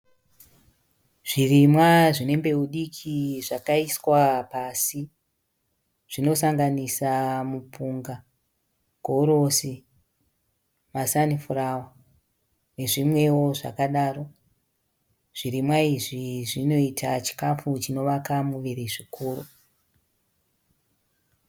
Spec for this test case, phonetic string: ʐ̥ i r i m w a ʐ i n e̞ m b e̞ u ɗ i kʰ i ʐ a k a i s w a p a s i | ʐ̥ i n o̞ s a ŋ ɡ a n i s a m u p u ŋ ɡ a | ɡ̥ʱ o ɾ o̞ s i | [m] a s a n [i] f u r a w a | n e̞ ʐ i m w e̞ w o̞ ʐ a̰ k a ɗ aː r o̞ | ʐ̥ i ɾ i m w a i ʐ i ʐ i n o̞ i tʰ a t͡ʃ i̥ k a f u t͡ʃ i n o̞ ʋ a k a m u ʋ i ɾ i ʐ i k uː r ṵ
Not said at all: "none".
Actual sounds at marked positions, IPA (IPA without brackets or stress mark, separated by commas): m, i